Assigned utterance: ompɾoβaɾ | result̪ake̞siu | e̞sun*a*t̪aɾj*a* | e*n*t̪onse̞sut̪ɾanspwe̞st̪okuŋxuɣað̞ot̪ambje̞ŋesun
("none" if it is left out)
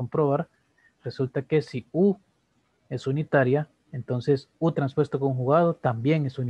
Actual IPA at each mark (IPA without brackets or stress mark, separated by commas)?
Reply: i, a, n